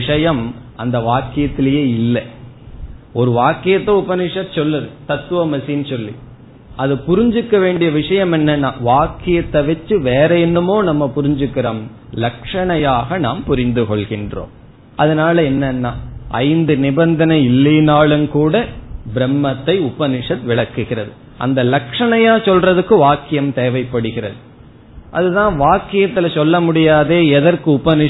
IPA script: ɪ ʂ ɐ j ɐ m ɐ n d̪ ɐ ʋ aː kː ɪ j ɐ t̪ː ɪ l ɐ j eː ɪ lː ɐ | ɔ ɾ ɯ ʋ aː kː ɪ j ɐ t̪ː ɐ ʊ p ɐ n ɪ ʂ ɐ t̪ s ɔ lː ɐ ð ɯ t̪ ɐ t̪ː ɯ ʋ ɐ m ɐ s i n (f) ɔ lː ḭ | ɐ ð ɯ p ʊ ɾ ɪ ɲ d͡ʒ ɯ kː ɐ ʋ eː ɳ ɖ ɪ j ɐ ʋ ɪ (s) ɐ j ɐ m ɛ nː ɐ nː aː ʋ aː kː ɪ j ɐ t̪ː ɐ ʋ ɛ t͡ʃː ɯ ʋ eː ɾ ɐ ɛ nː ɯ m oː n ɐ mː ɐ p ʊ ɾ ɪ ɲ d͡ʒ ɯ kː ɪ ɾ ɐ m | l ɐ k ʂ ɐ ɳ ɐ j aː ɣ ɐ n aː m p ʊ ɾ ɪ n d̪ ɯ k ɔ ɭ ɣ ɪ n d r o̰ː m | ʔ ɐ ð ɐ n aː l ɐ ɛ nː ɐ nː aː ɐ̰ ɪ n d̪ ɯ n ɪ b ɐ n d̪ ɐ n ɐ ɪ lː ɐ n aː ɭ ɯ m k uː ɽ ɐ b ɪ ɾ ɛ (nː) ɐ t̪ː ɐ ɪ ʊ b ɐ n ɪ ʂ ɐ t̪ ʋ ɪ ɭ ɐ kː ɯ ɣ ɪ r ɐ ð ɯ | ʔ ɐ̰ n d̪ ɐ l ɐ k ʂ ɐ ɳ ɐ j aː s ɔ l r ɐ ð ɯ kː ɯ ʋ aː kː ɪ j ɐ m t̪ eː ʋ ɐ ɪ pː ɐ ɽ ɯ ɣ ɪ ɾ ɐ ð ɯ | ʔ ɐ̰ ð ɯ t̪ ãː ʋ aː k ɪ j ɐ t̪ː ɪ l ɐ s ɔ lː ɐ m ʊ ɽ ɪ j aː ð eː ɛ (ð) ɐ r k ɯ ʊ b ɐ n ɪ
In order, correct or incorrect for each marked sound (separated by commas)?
incorrect, incorrect, incorrect, correct